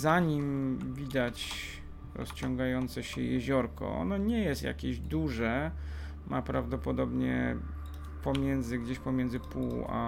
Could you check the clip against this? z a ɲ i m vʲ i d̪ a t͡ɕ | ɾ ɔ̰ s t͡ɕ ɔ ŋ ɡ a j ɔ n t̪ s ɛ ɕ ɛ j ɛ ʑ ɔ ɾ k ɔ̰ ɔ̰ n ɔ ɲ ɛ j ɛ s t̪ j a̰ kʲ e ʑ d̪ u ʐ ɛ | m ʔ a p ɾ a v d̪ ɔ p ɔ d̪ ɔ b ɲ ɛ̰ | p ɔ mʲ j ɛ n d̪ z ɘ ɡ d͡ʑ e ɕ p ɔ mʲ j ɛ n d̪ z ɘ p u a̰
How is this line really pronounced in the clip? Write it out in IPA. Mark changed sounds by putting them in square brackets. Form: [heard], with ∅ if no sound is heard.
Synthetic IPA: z a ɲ i m vʲ i d̪ a t͡ɕ | ɾ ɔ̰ s t͡ɕ ɔ ŋ ɡ a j ɔ n t̪ s ɛ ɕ ɛ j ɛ ʑ ɔ ɾ k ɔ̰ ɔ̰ n ɔ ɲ ɛ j ɛ s t̪ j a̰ kʲ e ʑ d̪ u ʐ ɛ | m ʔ a p ɾ a v d̪ ɔ p ɔ d̪ ɔ b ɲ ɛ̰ | p ɔ mʲ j ɛ n d̪ z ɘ ɡ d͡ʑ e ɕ p ɔ mʲ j ɛ n d̪ z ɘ p u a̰